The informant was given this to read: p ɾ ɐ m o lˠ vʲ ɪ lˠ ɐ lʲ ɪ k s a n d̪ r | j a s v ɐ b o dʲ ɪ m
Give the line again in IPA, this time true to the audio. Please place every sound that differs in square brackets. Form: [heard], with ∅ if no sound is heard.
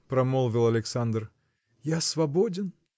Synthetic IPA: p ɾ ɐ m o lˠ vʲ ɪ lˠ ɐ lʲ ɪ k s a n d̪ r | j a s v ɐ b o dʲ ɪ [n]